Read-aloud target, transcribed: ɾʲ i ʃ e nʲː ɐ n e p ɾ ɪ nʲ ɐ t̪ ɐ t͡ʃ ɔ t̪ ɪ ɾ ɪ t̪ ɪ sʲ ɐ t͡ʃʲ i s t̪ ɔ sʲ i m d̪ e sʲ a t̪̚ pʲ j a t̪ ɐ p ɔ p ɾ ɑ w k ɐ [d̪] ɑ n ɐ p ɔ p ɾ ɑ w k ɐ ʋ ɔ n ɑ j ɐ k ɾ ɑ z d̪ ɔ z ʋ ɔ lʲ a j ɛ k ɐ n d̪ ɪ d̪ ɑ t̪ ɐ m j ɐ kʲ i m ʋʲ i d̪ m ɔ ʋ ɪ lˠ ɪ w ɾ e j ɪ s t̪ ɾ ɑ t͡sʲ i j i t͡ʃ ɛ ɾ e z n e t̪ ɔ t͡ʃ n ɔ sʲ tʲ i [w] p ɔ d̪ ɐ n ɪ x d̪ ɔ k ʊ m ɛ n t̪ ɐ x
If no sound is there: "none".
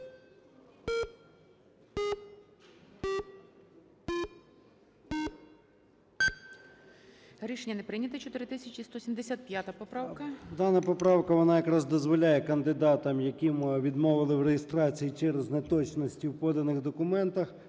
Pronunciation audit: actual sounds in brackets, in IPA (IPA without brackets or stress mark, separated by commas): d̪, w